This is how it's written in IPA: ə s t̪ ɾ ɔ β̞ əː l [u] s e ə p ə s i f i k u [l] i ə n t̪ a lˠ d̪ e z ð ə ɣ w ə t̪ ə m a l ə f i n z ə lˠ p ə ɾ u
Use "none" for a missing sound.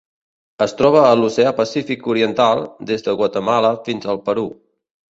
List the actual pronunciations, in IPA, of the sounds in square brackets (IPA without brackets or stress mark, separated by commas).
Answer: u, ɾ